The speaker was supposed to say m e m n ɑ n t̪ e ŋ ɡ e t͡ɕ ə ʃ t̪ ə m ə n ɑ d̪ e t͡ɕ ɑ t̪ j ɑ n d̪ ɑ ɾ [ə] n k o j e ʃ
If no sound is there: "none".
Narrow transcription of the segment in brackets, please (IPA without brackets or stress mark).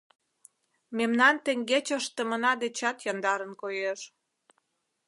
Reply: ə